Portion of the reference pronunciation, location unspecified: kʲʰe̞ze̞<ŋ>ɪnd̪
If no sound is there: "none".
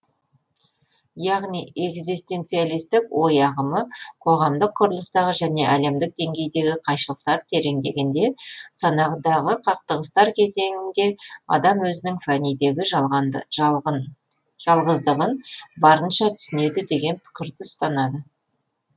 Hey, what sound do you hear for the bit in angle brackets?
ŋ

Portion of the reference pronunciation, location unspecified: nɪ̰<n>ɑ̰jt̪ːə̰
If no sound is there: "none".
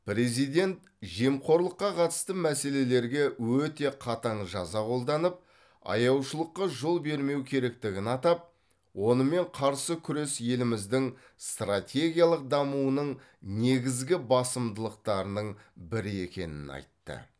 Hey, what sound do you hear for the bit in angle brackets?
n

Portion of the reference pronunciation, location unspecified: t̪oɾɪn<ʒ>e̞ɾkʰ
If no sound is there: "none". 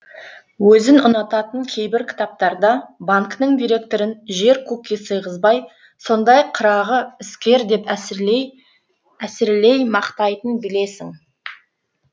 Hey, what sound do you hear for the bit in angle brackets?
ʒ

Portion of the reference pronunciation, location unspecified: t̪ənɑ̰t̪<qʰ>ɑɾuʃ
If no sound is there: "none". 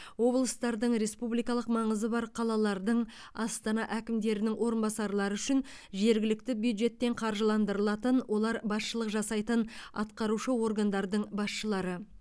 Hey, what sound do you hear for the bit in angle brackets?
q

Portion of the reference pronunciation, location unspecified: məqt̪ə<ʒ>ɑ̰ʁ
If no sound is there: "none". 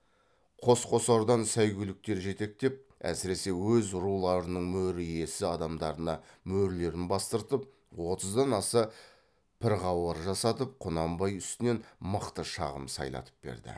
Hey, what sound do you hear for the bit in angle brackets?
ʃ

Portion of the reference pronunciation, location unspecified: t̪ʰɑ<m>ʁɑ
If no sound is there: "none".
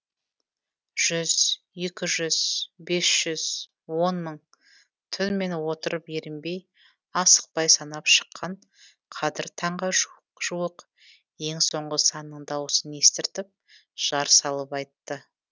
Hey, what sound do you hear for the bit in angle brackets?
ɴ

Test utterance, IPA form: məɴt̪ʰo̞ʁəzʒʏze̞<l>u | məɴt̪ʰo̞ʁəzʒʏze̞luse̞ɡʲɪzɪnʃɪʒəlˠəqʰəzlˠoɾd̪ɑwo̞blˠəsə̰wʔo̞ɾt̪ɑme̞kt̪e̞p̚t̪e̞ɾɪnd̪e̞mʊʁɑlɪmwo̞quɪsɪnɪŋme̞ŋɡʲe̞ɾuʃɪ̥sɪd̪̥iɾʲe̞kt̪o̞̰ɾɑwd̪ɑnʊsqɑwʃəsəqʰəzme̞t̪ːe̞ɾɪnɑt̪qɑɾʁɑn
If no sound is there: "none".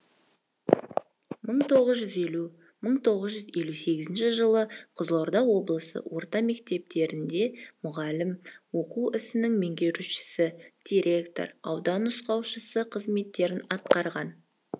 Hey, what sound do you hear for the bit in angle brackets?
l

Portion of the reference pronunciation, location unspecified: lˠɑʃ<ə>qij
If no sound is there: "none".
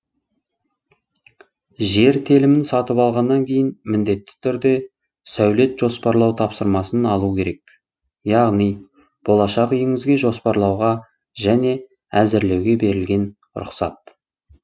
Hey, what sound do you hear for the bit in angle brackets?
ɑ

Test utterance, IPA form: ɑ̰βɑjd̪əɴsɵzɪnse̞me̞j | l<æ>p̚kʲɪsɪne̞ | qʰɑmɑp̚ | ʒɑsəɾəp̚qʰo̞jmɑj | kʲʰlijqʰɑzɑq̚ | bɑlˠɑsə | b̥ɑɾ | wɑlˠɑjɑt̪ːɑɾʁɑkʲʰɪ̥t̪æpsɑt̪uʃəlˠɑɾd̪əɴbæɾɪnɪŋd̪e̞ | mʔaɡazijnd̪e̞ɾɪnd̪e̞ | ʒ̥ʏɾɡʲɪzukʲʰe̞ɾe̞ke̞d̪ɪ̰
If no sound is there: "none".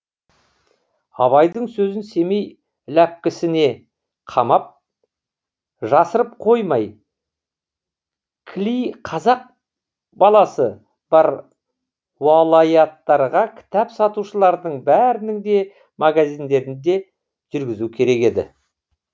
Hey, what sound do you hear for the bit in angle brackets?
æ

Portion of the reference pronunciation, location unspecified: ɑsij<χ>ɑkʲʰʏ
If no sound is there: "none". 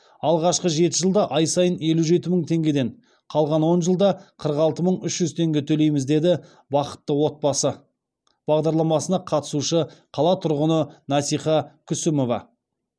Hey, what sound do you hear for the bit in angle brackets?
χ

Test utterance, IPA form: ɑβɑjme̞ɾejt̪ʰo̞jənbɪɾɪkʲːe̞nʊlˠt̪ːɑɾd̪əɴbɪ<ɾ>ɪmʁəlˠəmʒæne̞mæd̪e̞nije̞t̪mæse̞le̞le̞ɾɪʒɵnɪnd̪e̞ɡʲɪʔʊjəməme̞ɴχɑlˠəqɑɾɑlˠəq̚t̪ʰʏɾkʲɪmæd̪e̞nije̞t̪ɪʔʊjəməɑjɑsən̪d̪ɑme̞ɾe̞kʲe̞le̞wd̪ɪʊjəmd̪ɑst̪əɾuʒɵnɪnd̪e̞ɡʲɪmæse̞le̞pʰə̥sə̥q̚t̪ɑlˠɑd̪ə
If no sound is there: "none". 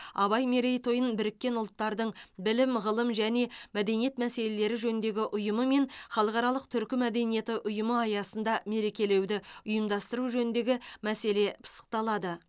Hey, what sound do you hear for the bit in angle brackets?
l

